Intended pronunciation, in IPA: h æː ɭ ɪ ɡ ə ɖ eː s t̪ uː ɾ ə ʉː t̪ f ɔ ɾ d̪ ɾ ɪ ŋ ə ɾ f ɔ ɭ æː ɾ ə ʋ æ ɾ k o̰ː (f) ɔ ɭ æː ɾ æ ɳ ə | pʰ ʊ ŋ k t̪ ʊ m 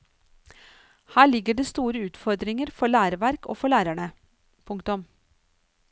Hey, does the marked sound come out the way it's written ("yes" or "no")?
yes